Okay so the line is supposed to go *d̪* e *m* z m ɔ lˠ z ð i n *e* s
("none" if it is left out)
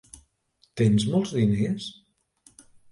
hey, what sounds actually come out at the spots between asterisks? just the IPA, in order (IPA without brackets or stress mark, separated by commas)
t̪, n, e